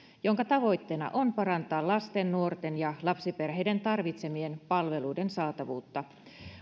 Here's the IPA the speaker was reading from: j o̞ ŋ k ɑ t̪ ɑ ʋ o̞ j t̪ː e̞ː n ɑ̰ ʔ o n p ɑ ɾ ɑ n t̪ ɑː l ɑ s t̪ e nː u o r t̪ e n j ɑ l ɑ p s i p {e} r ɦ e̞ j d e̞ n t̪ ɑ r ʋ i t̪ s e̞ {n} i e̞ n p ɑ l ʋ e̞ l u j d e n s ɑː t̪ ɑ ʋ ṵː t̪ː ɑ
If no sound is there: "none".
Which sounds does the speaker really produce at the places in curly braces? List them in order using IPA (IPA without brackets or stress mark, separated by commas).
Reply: e, m